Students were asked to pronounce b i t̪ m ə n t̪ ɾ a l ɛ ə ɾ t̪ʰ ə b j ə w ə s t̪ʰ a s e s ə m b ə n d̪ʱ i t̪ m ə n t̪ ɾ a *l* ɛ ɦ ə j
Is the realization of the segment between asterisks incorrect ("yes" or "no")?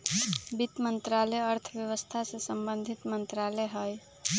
no